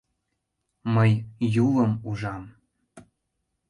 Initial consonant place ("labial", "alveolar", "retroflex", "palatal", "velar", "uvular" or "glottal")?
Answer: labial